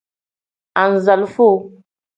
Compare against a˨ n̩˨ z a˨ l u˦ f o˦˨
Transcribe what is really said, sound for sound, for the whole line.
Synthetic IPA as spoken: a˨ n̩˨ z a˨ l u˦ f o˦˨